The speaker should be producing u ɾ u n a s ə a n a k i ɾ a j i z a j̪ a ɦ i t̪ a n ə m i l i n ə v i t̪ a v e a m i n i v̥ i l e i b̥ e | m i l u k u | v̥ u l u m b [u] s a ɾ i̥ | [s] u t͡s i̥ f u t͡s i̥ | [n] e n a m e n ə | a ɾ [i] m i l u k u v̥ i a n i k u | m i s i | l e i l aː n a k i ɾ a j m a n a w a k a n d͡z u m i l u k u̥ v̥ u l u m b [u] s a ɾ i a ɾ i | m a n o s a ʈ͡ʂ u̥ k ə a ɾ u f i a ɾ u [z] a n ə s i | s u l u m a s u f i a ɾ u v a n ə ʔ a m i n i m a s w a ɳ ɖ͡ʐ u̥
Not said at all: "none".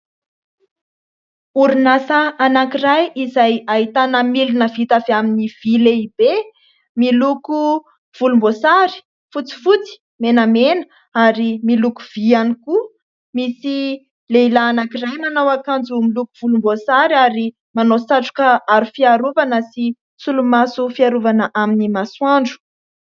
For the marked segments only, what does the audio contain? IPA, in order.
o, f, m, i, o, v

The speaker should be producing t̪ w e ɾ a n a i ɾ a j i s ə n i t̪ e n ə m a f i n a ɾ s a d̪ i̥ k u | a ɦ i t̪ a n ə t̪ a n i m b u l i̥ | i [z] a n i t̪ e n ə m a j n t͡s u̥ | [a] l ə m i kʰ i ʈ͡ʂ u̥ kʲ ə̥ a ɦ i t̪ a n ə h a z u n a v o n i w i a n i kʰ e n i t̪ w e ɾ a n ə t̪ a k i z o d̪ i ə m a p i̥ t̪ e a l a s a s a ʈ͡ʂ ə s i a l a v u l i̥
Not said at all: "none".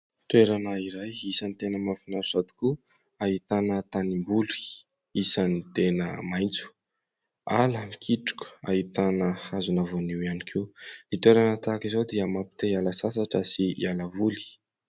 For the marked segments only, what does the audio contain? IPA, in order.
s, a

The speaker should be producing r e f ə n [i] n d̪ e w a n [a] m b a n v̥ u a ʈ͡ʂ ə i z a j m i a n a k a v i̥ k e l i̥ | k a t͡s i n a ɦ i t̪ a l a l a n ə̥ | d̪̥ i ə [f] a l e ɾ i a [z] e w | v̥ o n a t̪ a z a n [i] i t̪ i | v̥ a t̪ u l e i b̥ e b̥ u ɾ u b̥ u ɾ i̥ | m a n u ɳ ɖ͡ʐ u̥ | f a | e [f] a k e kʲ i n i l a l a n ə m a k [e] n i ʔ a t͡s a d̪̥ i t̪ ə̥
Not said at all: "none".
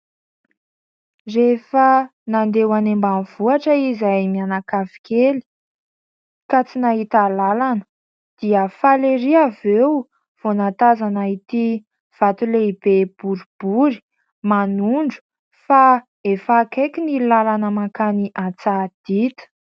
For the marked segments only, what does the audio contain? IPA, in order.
a, e, f, v, a, f, a

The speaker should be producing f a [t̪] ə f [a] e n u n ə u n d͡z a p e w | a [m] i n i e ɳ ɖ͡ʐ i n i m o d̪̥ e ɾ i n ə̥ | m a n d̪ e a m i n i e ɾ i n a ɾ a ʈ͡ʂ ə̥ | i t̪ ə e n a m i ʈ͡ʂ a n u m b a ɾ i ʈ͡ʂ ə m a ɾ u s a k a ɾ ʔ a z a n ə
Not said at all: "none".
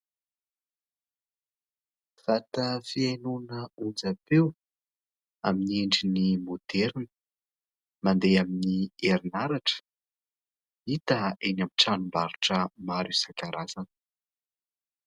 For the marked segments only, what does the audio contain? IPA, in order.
t̪, i, m

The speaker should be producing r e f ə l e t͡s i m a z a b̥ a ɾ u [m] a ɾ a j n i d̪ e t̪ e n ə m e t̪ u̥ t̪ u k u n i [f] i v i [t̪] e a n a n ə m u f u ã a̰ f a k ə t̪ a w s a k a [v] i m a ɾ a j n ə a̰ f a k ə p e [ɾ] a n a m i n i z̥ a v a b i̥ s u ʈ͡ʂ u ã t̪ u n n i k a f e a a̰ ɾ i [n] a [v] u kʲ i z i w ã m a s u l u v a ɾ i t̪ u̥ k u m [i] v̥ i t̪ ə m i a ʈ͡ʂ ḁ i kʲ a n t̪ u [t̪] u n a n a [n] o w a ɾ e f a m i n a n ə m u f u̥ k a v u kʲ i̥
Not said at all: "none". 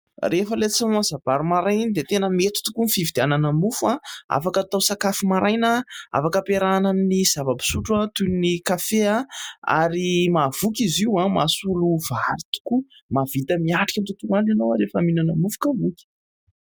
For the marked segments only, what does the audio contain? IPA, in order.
m, f, d̪, f, ɾ, m, v, a, t̪, n

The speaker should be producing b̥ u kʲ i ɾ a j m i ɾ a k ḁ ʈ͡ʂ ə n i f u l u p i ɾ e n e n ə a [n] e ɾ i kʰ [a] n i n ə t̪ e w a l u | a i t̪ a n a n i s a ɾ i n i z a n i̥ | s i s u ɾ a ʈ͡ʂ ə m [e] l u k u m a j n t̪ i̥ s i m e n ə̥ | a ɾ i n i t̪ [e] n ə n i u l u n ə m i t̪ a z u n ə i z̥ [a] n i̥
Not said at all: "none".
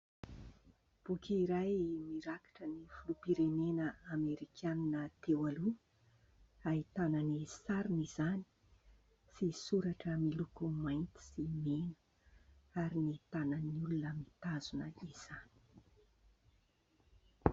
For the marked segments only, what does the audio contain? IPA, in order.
m, a, i, a, a

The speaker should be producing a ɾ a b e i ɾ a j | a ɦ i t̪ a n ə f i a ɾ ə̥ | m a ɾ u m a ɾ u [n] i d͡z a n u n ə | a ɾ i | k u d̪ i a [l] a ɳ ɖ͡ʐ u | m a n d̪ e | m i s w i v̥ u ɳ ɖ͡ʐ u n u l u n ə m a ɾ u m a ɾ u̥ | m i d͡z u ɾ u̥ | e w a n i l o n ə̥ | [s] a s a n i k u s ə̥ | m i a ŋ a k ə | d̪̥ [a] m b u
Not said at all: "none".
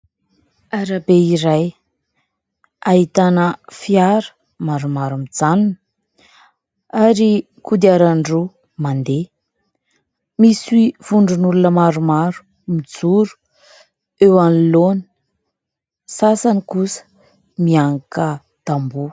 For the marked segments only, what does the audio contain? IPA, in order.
m, ɾ, s, a

